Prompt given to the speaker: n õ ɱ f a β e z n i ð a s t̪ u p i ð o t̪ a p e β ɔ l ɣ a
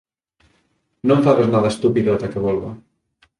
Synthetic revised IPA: n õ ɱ f a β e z n a ð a s t̪ u p i ð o t̪ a k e β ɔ l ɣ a